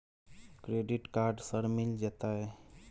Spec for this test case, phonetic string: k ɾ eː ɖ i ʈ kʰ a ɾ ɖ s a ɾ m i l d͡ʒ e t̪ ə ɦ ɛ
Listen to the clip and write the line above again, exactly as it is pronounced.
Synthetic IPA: k ɾ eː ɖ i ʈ k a ɾ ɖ s ə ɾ m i l d͡ʒ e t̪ a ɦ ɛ

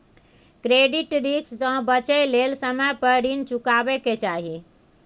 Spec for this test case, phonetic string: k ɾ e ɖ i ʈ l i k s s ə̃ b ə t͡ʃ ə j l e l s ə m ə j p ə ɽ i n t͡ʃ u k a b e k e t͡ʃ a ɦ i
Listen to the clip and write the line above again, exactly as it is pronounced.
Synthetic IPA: k ɾ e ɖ i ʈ ɾ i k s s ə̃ b ə t͡ʃ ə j l e l s ə m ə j p ə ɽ i n t͡ʃ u k a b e k e t͡ʃ a ɦ i

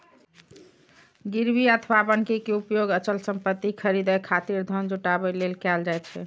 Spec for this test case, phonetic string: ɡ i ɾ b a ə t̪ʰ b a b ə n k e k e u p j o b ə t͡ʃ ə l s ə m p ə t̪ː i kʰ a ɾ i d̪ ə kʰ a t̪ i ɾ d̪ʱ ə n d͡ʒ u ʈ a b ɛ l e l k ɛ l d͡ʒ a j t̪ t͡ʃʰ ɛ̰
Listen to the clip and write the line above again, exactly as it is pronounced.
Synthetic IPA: ɡ i ɾ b i ə t̪ʰ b a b ə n k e k e u p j o ɡ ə t͡ʃ ə l s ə m p ə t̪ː i kʰ ə ɾ i d̪ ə kʰ a t̪ i ɾ d̪ʱ ə n d͡ʒ u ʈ a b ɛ l e l k ɛ l d͡ʒ a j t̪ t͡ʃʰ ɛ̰

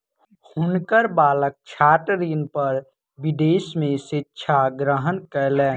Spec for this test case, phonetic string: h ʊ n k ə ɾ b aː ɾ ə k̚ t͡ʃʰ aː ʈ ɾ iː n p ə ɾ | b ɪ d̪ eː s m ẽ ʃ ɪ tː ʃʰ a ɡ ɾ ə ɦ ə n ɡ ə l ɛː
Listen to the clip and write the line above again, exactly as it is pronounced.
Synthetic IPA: h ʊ n k ə ɾ b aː l ə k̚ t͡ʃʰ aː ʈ ɾ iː n p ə ɾ | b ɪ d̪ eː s m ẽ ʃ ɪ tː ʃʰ a ɡ ɾ ə ɦ ə n k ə l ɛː

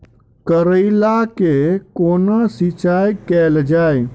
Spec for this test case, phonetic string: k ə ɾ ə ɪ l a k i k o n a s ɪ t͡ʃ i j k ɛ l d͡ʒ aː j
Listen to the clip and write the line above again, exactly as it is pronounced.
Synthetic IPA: k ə ɾ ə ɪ l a k e k o n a s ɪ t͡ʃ a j k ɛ l d͡ʒ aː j

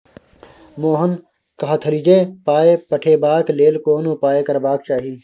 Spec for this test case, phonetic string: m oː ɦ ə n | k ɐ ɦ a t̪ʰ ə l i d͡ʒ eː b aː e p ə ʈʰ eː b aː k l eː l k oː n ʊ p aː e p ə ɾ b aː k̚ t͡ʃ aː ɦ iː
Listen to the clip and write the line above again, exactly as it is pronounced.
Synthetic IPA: m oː ɦ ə n | k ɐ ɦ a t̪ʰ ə l i d͡ʒ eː p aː e p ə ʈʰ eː b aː k l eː l k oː n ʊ p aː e k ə ɾ b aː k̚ t͡ʃ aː ɦ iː

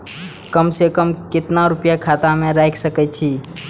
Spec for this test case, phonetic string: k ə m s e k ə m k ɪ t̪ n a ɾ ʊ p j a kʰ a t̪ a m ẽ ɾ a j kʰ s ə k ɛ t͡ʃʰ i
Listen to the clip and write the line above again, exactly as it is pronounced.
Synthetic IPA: k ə m s e k ə m k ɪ t̪ n a ɾ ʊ p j a kʰ a t̪ a m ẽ ɾ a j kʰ s ə k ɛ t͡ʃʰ i

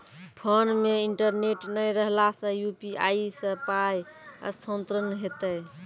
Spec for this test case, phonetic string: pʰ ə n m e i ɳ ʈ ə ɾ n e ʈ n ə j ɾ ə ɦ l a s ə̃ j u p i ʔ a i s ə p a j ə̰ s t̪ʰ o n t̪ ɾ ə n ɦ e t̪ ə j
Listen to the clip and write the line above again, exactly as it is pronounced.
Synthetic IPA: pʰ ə n m e i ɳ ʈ ə ɾ n e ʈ n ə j ɾ ə ɦ l a s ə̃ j u p i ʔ a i s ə p a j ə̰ s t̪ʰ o n t̪ ɾ ə n ɦ e t̪ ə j

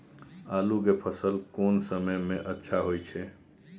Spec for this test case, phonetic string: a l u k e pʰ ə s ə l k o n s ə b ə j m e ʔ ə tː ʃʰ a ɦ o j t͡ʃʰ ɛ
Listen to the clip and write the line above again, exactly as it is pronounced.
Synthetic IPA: a l u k e pʰ ə s ə l k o n s ə m ə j m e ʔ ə tː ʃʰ a ɦ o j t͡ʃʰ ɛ

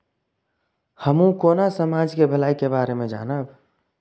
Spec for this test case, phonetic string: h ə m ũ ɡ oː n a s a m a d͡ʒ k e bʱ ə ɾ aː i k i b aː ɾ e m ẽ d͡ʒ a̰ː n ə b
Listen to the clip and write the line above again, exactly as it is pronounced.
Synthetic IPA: h ə m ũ k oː n a s ə m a d͡ʒ k e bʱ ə l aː i k e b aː ɾ e m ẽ d͡ʒ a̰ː n ə b

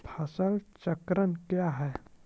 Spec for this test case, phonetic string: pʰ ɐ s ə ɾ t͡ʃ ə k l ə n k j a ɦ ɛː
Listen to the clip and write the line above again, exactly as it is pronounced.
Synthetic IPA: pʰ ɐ s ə l t͡ʃ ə k ɾ ə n k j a ɦ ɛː

